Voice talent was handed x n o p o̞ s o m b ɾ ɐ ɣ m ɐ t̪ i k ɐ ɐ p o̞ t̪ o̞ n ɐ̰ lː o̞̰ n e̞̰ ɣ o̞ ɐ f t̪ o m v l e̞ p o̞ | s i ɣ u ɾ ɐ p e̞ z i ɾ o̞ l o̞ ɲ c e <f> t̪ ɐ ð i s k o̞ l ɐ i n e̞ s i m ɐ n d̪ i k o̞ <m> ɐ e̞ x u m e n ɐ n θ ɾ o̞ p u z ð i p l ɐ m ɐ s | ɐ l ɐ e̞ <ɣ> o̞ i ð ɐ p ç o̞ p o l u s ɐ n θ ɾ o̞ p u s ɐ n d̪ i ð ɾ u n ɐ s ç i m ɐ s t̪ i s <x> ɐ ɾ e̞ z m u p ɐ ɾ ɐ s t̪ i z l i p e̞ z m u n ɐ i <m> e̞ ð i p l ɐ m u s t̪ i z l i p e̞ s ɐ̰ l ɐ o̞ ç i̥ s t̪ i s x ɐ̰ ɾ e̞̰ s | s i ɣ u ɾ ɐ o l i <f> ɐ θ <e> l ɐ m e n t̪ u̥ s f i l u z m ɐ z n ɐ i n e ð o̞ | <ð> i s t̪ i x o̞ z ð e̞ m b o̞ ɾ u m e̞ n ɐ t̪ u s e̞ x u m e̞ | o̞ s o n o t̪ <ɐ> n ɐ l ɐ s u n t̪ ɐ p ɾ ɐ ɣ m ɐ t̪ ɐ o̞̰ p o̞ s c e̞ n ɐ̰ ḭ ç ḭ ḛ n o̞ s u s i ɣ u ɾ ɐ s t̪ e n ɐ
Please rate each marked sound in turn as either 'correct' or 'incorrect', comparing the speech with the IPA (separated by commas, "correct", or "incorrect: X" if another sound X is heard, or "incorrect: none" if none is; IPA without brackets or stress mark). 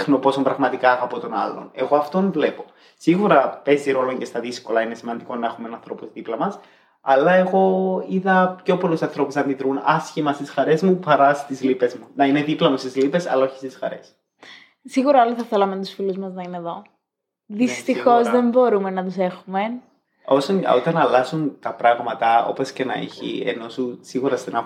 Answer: incorrect: s, incorrect: n, correct, correct, incorrect: n, incorrect: θ, correct, correct, correct